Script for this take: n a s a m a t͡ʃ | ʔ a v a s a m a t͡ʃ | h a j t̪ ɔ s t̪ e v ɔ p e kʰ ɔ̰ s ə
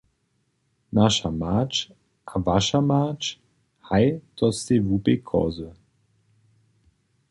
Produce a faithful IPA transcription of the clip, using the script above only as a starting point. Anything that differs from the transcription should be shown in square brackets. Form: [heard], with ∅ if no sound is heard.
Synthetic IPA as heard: n a [ʃ] a m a t͡ʃ | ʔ a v a [ʃ] a m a t͡ʃ | h a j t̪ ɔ s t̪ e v [u] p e kʰ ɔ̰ [z] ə